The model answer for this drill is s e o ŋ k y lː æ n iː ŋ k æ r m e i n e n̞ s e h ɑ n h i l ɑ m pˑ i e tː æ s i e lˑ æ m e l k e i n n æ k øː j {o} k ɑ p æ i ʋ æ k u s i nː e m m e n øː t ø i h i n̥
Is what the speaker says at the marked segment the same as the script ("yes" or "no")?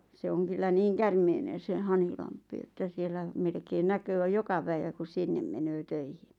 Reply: yes